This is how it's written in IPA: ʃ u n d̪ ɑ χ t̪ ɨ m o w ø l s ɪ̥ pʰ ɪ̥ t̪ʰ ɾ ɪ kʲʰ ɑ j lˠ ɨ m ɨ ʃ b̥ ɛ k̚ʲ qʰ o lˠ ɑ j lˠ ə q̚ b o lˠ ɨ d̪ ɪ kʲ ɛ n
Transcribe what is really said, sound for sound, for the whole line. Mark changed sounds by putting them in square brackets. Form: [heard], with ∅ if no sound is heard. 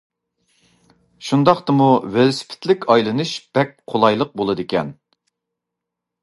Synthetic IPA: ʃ u n d̪ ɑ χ t̪ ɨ m [u] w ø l s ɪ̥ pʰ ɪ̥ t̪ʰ [l] ɪ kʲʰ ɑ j lˠ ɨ [n] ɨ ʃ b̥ ɛ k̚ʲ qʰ o lˠ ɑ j lˠ ə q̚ b o lˠ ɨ d̪ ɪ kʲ ɛ n

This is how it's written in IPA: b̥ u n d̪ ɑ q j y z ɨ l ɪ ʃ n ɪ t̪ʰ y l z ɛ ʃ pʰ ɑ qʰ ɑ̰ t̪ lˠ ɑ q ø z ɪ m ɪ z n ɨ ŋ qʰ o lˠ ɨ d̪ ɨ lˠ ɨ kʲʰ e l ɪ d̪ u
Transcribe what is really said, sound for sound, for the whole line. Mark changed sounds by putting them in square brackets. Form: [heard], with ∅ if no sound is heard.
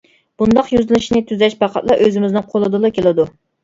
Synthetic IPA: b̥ u n d̪ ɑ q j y z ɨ l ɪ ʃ n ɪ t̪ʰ y [∅] z ɛ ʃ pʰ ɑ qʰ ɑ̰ t̪ lˠ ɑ [ʔ] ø z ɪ m ɪ z n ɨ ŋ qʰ o lˠ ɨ d̪ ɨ lˠ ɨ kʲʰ e l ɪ d̪ u

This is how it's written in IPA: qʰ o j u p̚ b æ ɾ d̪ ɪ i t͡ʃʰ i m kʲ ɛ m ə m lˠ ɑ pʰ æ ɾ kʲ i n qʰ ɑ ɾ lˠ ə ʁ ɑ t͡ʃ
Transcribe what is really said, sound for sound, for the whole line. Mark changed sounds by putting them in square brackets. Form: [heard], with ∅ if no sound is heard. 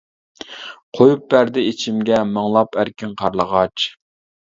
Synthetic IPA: qʰ o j u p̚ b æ ɾ d̪ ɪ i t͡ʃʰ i m [ɡʲ] ɛ m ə [ŋ] lˠ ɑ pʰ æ ɾ kʲ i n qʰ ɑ ɾ lˠ ə ʁ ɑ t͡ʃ

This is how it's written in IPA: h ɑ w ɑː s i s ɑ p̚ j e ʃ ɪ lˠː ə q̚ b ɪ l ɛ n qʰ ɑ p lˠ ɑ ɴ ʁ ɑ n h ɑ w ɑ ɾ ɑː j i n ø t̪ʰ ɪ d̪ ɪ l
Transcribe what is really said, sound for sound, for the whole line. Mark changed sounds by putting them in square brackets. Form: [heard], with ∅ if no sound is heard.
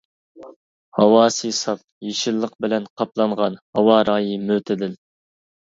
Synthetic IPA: h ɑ w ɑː s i s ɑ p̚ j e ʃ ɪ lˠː ə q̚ b ɪ l ɛ n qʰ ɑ p lˠ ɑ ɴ ʁ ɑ n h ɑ w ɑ ɾ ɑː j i [m] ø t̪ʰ ɪ d̪ ɪ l

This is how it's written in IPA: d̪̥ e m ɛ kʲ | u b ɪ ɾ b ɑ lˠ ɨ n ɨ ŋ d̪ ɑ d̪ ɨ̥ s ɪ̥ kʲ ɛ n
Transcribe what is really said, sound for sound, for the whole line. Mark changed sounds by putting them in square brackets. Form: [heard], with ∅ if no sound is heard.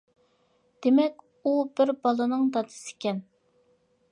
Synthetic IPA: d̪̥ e m ɛ kʲ | u b ɪ ɾ b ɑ lˠ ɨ n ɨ ŋ d̪ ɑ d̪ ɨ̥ s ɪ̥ kʲ ɛ n

